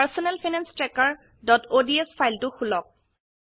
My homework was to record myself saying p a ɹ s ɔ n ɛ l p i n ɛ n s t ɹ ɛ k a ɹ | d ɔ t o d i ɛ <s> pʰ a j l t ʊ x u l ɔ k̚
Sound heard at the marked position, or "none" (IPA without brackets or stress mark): s